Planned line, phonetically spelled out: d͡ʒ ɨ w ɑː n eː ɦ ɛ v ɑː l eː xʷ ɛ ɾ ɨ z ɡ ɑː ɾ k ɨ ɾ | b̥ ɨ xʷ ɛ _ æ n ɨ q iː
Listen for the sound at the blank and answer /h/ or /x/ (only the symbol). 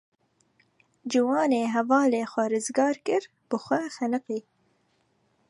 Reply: x